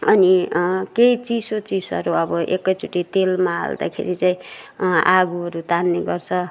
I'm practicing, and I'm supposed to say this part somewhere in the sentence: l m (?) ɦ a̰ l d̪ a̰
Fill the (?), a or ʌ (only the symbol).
a